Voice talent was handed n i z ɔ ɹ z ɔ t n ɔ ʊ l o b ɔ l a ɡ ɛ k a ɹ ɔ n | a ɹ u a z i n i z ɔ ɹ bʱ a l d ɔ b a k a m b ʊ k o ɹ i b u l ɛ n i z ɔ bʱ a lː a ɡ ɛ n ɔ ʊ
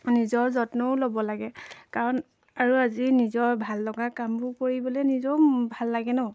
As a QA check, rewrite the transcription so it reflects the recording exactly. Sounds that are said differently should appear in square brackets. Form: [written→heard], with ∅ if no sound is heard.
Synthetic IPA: n i z ɔ ɹ z ɔ t n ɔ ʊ l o b ɔ l a ɡ ɛ k a ɹ ɔ n | a ɹ u a z i n i z ɔ ɹ bʱ a l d ɔ [b→ɡ] a k a m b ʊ k o ɹ i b [u→ɔ] l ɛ n i z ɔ bʱ a lː a ɡ ɛ n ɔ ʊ